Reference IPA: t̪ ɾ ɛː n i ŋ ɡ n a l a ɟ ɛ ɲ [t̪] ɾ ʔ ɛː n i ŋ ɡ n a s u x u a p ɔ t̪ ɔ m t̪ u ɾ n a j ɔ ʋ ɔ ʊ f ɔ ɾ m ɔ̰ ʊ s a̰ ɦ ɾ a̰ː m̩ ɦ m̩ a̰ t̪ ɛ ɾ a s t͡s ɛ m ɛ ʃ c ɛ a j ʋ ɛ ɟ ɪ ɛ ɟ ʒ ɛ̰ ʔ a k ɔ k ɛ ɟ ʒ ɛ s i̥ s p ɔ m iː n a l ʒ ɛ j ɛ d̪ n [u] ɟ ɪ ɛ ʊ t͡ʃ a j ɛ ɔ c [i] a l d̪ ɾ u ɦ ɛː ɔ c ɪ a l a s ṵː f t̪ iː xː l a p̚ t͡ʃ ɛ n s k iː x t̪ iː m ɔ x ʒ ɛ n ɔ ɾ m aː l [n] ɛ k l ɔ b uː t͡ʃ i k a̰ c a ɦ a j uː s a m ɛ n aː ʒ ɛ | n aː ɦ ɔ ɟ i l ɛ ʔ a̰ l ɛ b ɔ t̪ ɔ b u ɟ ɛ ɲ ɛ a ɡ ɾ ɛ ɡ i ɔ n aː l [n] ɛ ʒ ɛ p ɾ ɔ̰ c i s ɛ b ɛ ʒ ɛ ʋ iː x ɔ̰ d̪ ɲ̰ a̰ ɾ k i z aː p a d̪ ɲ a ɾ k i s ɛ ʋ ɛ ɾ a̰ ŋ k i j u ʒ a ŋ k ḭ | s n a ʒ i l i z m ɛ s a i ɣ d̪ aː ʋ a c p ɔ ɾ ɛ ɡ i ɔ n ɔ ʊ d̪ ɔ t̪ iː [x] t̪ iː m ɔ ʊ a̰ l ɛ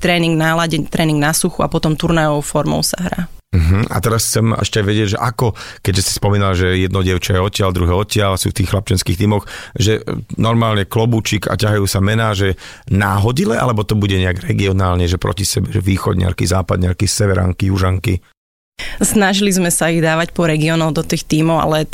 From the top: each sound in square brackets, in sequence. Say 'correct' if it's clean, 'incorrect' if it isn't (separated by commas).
correct, incorrect, incorrect, incorrect, incorrect, correct